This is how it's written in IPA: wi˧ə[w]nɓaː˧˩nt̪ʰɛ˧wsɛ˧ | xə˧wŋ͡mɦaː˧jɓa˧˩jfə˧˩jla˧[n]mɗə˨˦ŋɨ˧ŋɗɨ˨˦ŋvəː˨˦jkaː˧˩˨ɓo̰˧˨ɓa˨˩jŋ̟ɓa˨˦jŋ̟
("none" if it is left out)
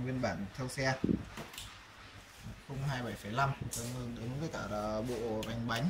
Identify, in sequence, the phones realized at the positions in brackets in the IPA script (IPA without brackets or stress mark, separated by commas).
none, none